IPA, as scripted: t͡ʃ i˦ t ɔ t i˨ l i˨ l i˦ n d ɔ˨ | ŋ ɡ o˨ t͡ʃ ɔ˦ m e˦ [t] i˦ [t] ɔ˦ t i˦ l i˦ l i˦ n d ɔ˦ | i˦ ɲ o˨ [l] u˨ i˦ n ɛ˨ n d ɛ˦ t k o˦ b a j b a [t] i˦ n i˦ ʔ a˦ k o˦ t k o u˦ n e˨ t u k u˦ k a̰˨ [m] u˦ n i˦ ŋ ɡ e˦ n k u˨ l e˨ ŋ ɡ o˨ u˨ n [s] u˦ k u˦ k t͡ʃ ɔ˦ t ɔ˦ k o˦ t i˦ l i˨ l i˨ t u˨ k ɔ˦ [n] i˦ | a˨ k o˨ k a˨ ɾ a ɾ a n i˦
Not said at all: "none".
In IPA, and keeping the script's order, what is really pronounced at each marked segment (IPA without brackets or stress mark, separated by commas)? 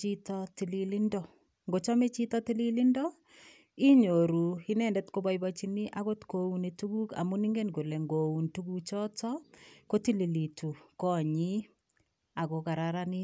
t͡ʃ, t, ɾ, t͡ʃ, m, t, ɲ